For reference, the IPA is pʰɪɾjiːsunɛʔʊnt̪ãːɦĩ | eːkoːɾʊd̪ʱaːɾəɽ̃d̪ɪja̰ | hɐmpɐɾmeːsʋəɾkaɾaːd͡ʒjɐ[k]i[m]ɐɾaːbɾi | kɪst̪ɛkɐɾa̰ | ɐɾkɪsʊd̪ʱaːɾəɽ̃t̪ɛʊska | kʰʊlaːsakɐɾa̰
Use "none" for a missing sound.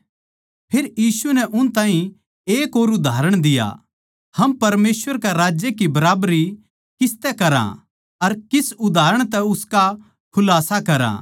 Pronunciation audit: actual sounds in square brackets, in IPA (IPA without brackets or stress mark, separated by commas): k, b